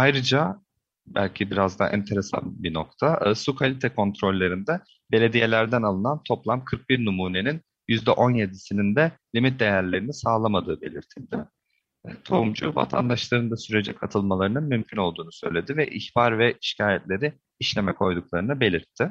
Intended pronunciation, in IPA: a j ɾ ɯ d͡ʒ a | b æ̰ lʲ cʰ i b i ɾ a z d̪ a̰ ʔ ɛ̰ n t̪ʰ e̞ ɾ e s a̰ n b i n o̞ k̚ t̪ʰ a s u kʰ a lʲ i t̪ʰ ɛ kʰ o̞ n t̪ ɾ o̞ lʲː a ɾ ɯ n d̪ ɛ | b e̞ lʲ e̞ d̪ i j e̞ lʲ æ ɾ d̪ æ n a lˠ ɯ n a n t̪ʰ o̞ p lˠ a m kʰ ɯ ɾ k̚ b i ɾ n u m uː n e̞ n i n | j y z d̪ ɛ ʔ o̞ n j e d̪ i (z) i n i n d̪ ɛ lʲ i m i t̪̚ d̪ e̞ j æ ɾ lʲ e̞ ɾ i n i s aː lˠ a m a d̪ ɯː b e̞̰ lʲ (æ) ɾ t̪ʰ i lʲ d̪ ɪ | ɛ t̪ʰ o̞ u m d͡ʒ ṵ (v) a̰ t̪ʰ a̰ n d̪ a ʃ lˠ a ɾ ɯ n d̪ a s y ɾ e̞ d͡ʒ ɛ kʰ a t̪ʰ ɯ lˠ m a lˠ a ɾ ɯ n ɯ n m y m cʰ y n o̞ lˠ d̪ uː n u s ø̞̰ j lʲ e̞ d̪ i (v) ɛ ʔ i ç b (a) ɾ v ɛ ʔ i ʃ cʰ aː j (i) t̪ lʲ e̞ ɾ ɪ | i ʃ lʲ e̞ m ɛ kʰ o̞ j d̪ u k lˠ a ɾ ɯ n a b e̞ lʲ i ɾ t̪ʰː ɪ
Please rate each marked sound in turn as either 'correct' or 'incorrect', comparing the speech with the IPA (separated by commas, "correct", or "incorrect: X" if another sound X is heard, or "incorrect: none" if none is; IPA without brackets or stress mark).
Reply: incorrect: s, incorrect: i, correct, correct, correct, incorrect: ɛ